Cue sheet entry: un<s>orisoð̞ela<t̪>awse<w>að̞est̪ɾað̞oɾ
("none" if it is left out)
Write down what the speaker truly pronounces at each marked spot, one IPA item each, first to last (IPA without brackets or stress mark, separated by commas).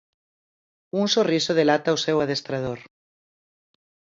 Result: s, t̪, w